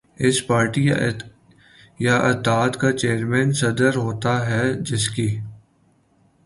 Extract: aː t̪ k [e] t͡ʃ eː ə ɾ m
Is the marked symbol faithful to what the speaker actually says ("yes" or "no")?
no